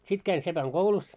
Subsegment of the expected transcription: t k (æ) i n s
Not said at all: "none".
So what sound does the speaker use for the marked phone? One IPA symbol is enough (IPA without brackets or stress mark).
æ